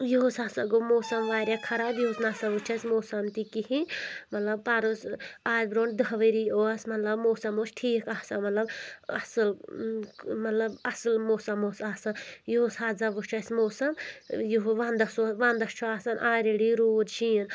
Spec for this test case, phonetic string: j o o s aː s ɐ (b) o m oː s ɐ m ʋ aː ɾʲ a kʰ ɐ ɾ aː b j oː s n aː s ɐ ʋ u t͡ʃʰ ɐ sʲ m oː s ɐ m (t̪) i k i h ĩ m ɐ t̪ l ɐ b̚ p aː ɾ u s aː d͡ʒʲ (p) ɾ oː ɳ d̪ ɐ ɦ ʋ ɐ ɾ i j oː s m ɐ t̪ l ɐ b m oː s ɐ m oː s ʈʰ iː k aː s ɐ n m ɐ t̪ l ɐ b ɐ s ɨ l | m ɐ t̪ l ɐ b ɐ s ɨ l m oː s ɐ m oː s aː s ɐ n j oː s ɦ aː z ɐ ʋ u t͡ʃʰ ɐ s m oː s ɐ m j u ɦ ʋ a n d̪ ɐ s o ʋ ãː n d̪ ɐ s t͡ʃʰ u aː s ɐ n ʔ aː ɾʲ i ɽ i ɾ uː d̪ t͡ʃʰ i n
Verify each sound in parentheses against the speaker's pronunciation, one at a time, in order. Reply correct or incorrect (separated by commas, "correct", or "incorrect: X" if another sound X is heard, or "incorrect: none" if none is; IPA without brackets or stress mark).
incorrect: ɡ, correct, incorrect: b